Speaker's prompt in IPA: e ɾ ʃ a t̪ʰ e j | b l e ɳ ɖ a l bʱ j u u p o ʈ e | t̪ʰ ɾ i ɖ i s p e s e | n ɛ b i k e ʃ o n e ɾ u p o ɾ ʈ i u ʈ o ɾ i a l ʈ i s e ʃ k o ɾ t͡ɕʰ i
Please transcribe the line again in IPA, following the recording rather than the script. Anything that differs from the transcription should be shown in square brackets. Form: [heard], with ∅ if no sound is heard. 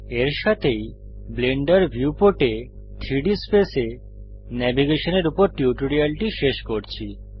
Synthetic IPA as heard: e ɾ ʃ a t̪ʰ e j | b l e ɳ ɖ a [ɾ] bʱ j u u p o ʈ e | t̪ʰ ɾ i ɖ i s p e s e | n ɛ b i [ɡ] e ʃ o n e ɾ u p o ɾ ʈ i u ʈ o ɾ i a l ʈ i [ʃ] e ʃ k o ɾ t͡ɕʰ i

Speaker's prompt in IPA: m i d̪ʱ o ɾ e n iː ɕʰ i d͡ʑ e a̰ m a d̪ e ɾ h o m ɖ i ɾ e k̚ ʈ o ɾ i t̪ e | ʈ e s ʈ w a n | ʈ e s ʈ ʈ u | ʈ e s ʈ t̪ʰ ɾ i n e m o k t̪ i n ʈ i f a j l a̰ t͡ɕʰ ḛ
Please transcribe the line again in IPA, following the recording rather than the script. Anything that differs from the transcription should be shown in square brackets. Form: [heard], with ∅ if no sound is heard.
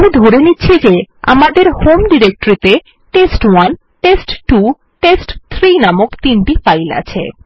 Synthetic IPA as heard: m i d̪ʱ o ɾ e n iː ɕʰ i d͡ʑ e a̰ m a d̪ e ɾ h o m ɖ i ɾ e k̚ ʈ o ɾ i t̪ e | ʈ e s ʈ w a n | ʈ e s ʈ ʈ u | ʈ e s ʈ t̪ʰ ɾ i n [a] m o k t̪ i n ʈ i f a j l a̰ t͡ɕʰ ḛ

